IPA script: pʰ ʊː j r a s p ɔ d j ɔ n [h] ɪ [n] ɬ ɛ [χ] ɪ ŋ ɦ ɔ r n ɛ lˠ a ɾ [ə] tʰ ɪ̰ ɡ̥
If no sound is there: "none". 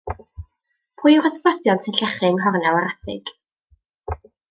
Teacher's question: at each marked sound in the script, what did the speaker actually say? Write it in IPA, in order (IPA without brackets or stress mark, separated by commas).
s, n, χ, a